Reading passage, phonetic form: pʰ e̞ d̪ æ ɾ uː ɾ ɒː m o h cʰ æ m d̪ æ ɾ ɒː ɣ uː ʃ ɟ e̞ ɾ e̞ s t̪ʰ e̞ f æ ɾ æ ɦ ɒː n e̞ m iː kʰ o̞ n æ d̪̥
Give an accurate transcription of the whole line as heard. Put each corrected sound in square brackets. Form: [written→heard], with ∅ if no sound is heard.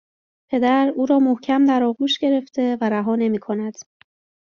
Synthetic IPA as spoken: pʰ e̞ d̪ æ ɾ uː ɾ ɒː m o h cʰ æ m d̪ æ ɾ ɒː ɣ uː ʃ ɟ e̞ ɾ e̞ [s→f] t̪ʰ e̞ [f→v] æ ɾ æ ɦ ɒː n e̞ m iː kʰ o̞ n æ d̪̥